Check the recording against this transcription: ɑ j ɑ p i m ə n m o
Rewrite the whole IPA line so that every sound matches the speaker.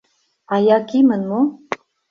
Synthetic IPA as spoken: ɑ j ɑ k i m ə n m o